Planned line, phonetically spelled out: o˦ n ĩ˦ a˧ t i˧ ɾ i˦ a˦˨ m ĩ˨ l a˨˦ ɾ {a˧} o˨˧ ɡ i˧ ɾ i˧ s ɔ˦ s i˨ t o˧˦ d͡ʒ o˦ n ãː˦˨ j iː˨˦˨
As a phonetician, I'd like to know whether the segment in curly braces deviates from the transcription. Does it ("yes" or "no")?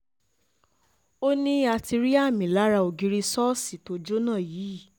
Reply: no